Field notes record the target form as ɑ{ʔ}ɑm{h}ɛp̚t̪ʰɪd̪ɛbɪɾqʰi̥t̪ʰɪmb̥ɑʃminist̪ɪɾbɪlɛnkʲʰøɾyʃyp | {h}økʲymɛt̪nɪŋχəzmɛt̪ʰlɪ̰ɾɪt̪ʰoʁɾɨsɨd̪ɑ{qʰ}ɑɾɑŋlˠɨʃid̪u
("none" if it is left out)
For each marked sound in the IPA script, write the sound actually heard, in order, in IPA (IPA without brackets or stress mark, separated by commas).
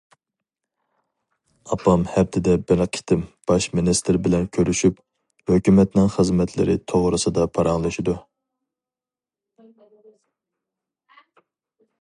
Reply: p, h, h, pʰ